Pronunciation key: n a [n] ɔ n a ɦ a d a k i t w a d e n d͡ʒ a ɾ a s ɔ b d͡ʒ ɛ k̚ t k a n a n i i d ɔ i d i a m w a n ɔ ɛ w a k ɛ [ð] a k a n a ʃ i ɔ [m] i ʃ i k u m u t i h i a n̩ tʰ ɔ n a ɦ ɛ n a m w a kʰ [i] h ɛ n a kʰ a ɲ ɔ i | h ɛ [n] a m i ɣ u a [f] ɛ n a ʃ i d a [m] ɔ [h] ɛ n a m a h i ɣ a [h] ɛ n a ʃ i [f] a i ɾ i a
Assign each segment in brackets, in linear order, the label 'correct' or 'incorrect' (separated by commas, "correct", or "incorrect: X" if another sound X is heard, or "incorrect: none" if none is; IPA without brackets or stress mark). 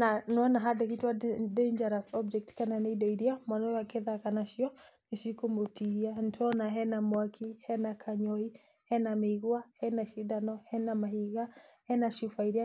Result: correct, correct, incorrect: n, correct, correct, incorrect: h, incorrect: n, correct, correct, correct